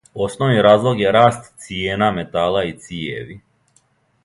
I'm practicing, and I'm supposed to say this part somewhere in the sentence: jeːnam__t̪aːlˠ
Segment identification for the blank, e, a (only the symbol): e